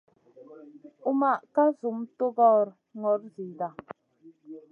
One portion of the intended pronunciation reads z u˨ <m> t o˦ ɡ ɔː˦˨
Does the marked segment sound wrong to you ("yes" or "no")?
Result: no